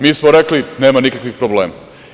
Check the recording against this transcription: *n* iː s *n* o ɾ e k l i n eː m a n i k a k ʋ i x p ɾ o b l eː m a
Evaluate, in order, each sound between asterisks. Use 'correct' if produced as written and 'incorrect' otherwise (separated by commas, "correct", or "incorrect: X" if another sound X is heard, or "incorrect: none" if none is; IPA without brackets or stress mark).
incorrect: m, incorrect: m